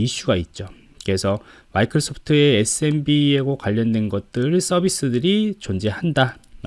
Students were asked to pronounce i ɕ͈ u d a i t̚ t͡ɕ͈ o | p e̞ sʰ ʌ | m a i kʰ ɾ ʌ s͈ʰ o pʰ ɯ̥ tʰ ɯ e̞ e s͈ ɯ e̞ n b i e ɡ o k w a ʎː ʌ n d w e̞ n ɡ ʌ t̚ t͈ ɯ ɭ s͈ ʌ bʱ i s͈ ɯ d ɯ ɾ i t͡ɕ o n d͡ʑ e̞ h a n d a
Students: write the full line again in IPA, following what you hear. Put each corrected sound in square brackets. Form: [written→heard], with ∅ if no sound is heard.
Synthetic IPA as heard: i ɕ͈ u [d→ɡ] a i t̚ t͡ɕ͈ o | [p→k] e̞ sʰ ʌ | m a i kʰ ɾ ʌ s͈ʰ o pʰ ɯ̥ tʰ ɯ e̞ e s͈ ɯ e̞ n b i e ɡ o k w a ʎː ʌ n d w e̞ n ɡ ʌ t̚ t͈ ɯ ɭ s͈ ʌ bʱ i s͈ ɯ d ɯ ɾ i t͡ɕ o n d͡ʑ e̞ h a n d a

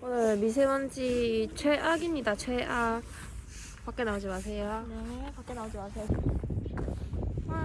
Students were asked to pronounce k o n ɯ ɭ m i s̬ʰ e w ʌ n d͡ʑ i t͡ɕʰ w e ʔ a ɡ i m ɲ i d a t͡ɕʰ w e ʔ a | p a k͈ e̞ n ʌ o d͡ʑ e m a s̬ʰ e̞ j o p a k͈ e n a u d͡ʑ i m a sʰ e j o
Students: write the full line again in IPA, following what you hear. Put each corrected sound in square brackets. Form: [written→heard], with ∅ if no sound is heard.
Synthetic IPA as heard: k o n ɯ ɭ m i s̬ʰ e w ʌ n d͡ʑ i t͡ɕʰ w e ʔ a ɡ i m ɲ i d a t͡ɕʰ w e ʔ a | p a k͈ e̞ n [ʌ→a] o d͡ʑ [e→i] m a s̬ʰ e̞ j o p a k͈ e n a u d͡ʑ i m a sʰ e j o

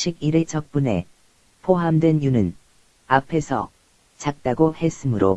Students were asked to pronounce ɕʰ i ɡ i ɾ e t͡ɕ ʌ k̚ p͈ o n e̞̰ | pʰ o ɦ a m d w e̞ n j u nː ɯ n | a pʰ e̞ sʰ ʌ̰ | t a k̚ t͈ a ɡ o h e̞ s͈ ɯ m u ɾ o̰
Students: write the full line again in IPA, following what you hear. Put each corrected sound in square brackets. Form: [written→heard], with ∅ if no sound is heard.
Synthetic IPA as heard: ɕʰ i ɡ i ɾ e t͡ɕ ʌ k̚ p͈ [o→u] n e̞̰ | pʰ o ɦ a m d w e̞ n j u [nː→n] ɯ n | a pʰ e̞ sʰ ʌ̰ | [t→t͡ɕ] a k̚ t͈ a ɡ o h e̞ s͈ ɯ m [u→ɯ] ɾ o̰

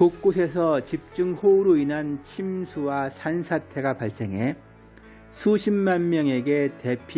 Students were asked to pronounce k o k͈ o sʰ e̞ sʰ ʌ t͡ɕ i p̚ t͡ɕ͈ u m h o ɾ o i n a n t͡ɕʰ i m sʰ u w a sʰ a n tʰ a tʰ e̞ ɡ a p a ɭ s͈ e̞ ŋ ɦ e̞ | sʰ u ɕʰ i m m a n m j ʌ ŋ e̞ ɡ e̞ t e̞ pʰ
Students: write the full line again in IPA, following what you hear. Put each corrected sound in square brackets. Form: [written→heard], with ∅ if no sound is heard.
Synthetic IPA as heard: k o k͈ o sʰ e̞ sʰ ʌ t͡ɕ i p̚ t͡ɕ͈ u [m→ŋ] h o ɾ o i n a n t͡ɕʰ i m sʰ u w a sʰ a n [tʰ→sʰ] a tʰ e̞ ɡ a p a ɭ s͈ e̞ ŋ ɦ e̞ | sʰ u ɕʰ i m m a n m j ʌ ŋ e̞ ɡ e̞ t e̞ pʰ

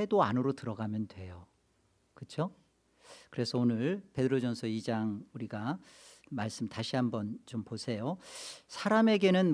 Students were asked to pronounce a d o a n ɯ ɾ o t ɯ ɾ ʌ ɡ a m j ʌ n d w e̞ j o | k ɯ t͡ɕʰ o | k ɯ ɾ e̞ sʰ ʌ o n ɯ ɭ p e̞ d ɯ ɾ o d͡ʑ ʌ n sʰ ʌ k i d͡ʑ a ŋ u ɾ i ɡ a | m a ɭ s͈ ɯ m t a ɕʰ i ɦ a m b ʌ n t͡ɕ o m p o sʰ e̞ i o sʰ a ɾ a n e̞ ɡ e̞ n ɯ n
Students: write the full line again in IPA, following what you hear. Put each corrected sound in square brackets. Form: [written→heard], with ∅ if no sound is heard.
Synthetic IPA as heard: [a→e] d o a n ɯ ɾ o t ɯ ɾ ʌ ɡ a m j ʌ n d w e̞ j o | k ɯ t͡ɕʰ o | k ɯ ɾ e̞ sʰ ʌ o n ɯ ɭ p e̞ d ɯ ɾ o d͡ʑ ʌ n sʰ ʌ [k→∅] i d͡ʑ a ŋ u ɾ i ɡ a | m a ɭ s͈ ɯ m t a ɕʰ i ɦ a m b ʌ n t͡ɕ o m p o sʰ e̞ [i→j] o sʰ a ɾ a [n→m] e̞ ɡ e̞ n ɯ n

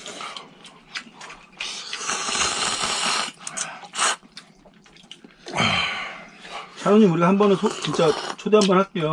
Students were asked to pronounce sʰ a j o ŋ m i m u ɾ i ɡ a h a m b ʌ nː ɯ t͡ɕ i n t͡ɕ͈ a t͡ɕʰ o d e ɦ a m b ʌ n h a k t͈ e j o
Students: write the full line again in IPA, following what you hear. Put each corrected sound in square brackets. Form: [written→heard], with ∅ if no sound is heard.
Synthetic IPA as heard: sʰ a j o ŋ [m→ɲ] i m u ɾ i ɡ a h a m b ʌ [nː→n] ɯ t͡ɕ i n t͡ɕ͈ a t͡ɕʰ o d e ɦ a m b ʌ n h a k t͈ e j o

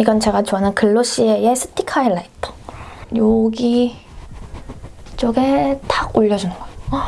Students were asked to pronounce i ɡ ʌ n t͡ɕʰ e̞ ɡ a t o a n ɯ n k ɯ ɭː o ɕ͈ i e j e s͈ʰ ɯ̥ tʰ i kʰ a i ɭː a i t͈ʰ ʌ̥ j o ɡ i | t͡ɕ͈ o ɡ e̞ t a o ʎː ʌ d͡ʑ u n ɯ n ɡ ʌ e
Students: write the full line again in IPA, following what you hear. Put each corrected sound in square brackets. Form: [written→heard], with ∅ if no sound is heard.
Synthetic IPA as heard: i ɡ ʌ n [t͡ɕʰ→t͡ɕ] e̞ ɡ a [t→t͡ɕ] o a n ɯ n k ɯ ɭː o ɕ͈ i e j e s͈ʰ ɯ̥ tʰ i kʰ a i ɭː a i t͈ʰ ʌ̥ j o ɡ i | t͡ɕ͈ o ɡ e̞ t a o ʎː ʌ d͡ʑ u n ɯ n ɡ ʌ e

